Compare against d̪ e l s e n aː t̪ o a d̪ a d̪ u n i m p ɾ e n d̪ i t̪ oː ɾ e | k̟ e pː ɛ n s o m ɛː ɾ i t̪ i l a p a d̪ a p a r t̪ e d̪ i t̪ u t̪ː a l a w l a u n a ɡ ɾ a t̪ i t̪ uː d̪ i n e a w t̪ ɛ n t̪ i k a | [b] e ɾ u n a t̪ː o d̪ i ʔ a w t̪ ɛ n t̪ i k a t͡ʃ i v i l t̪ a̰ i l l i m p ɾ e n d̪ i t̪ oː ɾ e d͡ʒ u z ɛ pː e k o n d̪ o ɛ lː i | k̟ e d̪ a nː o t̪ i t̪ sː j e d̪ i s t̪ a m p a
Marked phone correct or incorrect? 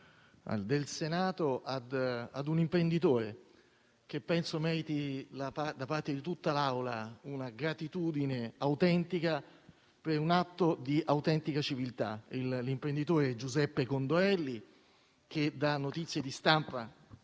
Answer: incorrect